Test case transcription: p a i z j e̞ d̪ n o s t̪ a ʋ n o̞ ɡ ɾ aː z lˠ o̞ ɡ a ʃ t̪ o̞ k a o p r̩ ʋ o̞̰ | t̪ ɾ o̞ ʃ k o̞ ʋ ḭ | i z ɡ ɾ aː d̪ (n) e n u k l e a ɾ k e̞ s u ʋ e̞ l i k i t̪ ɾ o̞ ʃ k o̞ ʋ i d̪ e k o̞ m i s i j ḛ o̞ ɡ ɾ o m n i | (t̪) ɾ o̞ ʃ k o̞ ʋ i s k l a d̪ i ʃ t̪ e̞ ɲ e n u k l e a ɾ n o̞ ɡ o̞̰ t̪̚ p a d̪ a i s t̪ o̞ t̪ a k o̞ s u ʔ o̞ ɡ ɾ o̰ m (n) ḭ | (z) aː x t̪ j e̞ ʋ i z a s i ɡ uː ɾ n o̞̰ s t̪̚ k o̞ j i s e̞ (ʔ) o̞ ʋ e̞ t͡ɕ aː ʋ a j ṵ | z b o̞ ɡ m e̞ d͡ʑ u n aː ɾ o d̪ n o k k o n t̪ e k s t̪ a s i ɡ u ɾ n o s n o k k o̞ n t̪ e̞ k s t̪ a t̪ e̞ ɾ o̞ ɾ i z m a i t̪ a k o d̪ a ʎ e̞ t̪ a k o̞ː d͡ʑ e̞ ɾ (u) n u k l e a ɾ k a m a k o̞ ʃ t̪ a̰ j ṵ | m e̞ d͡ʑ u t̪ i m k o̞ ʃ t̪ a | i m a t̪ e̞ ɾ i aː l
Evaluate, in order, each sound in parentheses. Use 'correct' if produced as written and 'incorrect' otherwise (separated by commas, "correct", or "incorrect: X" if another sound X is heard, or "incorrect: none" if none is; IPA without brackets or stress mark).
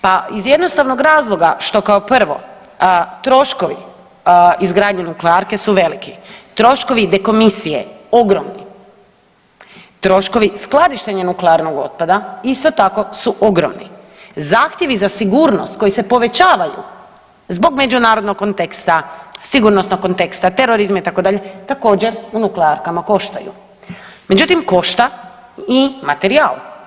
incorrect: ɲ, correct, correct, correct, incorrect: p, correct